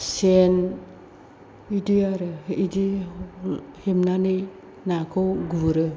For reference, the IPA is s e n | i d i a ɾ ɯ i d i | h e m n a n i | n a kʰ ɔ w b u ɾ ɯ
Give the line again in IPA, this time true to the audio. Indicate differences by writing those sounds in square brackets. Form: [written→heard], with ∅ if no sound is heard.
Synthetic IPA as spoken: s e n | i d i a ɾ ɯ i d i | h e m n a n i | n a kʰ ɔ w [b→ɡ] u ɾ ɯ